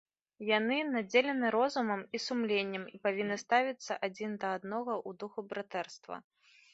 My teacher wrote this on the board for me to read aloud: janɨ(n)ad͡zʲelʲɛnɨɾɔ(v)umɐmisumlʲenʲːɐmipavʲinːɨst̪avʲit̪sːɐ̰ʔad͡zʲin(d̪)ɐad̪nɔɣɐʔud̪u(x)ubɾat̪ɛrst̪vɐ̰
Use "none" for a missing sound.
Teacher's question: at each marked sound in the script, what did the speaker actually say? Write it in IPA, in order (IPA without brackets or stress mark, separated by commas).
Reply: n, z, d̪, x